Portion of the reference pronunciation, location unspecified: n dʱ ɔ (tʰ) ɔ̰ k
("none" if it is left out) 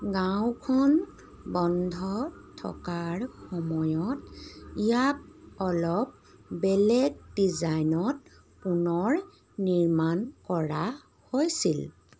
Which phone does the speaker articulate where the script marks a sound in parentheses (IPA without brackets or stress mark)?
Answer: tʰ